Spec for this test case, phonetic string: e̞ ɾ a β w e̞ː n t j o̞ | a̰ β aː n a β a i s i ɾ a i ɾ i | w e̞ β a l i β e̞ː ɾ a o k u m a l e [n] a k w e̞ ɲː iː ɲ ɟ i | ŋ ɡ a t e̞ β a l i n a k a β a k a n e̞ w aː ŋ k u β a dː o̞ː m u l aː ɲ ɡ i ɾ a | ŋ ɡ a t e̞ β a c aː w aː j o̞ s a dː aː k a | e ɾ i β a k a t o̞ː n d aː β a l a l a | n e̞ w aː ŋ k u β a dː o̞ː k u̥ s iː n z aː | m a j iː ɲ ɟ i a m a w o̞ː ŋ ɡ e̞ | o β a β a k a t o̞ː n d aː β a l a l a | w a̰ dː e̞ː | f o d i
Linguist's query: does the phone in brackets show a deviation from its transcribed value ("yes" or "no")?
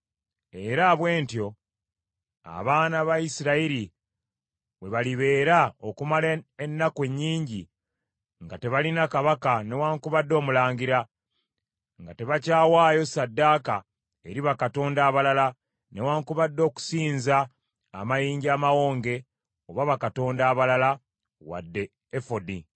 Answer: yes